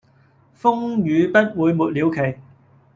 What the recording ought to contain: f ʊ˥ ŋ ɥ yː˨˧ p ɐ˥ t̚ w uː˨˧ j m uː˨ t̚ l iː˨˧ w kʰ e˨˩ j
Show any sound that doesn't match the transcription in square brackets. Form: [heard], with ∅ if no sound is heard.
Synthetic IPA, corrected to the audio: f ʊ˥ ŋ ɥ yː˨˧ p ɐ˥ t̚ w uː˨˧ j m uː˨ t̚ l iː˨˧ w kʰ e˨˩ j